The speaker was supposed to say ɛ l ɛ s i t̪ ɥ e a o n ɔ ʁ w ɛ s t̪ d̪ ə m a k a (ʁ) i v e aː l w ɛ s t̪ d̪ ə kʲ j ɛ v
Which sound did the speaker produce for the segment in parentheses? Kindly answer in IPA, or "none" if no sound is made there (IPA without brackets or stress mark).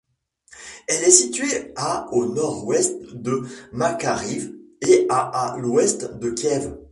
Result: ʁ